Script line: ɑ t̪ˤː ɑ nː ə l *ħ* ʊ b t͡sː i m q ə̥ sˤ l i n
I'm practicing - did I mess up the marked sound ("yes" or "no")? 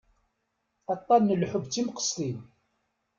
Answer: no